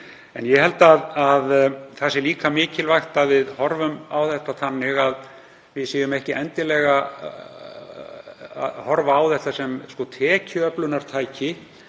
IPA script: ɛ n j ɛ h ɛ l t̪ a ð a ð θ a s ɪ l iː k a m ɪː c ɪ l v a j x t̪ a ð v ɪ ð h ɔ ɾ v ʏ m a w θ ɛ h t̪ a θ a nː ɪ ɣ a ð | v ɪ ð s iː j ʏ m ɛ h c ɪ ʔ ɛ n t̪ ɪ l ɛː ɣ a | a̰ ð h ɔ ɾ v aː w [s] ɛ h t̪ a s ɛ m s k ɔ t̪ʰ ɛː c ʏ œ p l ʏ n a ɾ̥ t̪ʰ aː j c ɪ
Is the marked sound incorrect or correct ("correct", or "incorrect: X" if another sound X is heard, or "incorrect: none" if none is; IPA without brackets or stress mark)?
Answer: incorrect: θ